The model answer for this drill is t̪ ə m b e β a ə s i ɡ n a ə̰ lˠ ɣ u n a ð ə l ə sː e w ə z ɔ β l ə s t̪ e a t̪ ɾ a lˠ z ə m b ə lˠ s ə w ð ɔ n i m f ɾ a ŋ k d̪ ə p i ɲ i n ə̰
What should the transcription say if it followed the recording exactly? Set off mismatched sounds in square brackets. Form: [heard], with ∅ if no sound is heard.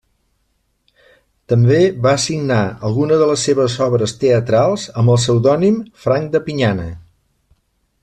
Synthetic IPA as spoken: t̪ ə m b e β a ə s i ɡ n a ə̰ lˠ ɣ u n [ə] ð ə l ə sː e [β] ə z ɔ β [ɾ] ə s t̪ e [ə] t̪ ɾ a lˠ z ə m b ə lˠ s ə w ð ɔ n i m f ɾ a ŋ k d̪ ə p i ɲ [a] n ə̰